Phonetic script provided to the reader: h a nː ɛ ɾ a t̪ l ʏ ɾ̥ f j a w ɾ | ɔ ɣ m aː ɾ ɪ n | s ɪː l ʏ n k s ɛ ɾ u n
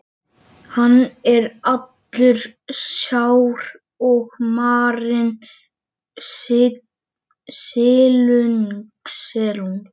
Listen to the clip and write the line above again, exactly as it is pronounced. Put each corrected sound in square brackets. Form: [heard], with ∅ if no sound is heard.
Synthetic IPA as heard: h a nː ɛ ɾ a t̪ l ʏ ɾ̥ [s] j a w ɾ | ɔ ɣ m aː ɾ ɪ n | s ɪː l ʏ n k s ɛ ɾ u n